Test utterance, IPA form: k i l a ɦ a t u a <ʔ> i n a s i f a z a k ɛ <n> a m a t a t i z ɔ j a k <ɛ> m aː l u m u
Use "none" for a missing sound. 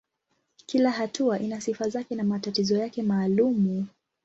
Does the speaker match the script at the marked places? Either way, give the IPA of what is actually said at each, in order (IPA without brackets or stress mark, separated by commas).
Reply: ʔ, n, ɛ